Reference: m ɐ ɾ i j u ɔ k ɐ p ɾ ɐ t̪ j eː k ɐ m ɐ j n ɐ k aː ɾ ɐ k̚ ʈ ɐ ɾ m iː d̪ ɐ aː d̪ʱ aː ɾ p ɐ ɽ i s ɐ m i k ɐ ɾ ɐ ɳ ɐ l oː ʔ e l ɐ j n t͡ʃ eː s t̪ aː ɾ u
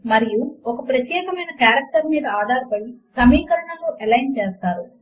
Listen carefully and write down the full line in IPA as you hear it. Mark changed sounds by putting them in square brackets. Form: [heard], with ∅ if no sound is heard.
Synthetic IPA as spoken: m ɐ ɾ i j u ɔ k ɐ p ɾ ɐ t̪ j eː k ɐ m ɐ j n ɐ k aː ɾ ɐ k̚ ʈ ɐ ɾ m iː d̪ ɐ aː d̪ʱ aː ɾ p ɐ ɽ i s ɐ m [iː] k ɐ ɾ ɐ ɳ ɐ l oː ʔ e l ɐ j n t͡ʃ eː s t̪ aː ɾ u